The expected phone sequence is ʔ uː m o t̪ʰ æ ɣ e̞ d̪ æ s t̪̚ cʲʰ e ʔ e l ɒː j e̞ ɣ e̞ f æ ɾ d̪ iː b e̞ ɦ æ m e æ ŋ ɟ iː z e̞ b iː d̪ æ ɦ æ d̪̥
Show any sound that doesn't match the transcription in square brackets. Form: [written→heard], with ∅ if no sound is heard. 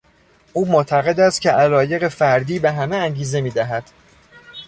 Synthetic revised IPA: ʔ uː m o t̪ʰ æ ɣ e̞ d̪ æ s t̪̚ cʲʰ e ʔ [e→æ] l ɒː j e̞ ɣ e̞ f æ ɾ d̪ iː b e̞ ɦ æ m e æ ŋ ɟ iː z e̞ [b→m] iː d̪ æ ɦ æ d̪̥